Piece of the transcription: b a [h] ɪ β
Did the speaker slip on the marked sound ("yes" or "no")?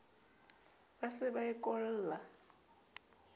yes